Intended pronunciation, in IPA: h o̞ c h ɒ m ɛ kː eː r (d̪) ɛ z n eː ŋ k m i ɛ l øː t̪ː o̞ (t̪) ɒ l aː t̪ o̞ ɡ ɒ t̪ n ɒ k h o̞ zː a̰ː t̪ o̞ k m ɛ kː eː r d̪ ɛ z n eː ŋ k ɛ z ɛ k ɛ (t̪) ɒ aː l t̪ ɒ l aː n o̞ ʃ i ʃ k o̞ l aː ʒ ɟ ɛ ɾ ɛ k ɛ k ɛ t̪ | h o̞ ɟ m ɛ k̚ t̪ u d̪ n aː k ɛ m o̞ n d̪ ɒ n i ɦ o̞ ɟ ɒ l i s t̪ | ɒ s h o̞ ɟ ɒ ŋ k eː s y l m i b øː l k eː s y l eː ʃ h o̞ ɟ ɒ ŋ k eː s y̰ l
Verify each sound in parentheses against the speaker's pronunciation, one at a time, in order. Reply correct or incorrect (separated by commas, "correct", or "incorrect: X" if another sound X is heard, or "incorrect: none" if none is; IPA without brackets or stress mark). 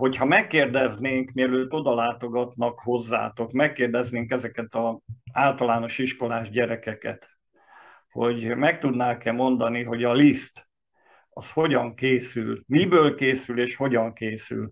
correct, incorrect: d̪, correct